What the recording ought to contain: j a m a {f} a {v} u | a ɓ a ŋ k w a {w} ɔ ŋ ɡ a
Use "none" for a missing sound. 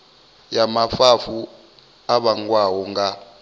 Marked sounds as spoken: f, f, w

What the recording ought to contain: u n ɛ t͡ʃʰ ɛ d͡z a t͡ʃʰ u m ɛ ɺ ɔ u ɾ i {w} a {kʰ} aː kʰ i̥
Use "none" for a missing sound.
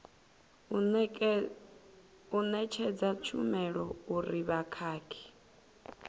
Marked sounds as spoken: β, kʰ

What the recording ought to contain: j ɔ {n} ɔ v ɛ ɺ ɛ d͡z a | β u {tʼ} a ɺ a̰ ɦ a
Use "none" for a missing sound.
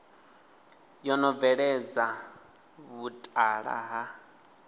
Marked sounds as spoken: n, tʼ

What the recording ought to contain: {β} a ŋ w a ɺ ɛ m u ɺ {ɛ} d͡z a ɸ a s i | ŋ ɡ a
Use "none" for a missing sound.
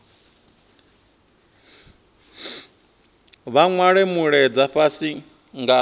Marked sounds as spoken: β, ɛ

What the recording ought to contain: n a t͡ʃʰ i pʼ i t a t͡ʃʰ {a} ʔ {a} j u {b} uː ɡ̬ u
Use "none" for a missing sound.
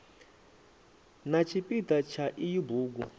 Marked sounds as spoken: a, i, b

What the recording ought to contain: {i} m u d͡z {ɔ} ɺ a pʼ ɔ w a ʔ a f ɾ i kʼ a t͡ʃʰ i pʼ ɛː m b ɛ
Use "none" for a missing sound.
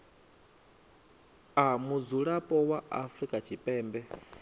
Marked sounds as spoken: a, u

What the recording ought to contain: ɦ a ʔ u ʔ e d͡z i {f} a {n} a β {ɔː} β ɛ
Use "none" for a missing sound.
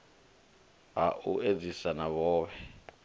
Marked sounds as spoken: s, n, ɔː

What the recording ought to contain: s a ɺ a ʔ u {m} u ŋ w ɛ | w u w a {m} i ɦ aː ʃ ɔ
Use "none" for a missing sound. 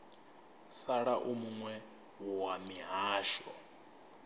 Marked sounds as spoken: m, m

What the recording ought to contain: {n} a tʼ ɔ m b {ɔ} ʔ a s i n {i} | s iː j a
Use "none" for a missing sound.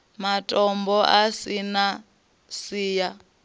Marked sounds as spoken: m, ɔ, a

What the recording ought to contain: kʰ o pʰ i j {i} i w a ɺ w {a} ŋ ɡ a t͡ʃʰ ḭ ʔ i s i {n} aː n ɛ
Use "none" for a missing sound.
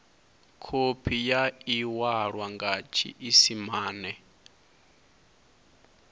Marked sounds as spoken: a, a, m

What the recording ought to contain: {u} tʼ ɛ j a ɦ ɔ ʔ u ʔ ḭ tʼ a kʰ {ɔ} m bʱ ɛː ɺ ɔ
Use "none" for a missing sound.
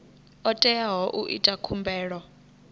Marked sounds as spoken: ɔ, u

